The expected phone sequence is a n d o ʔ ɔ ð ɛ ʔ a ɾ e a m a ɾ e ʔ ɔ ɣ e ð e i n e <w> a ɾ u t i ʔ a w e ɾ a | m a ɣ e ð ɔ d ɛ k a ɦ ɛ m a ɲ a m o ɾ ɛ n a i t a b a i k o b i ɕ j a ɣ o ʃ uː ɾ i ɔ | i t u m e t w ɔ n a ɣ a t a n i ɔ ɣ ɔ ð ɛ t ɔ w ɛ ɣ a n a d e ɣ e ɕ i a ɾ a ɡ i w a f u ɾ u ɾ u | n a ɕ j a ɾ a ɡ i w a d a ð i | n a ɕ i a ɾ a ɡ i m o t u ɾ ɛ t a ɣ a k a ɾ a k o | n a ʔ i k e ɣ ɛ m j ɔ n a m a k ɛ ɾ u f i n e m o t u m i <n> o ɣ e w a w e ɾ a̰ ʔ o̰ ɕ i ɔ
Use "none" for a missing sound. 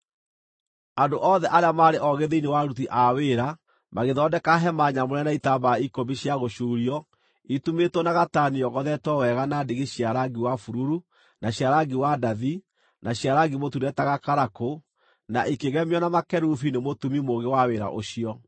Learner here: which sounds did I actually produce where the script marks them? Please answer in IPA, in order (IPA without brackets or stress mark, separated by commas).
w, m